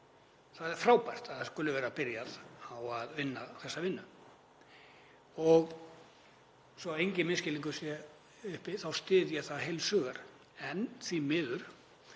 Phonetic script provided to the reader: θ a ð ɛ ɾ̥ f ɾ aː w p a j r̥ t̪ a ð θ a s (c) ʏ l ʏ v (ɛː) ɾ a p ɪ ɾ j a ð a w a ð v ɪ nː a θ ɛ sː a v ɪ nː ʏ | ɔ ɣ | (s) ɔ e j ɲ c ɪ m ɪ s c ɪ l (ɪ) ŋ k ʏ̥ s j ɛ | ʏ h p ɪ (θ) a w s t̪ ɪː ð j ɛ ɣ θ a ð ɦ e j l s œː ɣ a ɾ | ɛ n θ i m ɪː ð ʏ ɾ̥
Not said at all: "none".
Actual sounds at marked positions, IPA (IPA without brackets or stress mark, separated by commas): k, ɛː, s, i, θ